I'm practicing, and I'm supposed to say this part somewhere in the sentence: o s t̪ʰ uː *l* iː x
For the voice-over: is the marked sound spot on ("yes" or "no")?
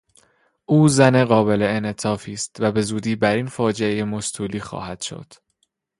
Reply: yes